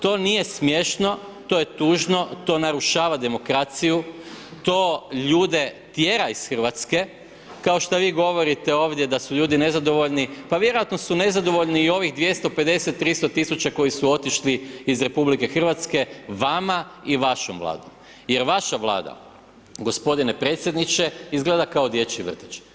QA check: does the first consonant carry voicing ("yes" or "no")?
no